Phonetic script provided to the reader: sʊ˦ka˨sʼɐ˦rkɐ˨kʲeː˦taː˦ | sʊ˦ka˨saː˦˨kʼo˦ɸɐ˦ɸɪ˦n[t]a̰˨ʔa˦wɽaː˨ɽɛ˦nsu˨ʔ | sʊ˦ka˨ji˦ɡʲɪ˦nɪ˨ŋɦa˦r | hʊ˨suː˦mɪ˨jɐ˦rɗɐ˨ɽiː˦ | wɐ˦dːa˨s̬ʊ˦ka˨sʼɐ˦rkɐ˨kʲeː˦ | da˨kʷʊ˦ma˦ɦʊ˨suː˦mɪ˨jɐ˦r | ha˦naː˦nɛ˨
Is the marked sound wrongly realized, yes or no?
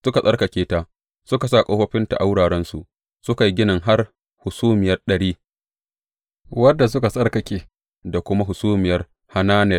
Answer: no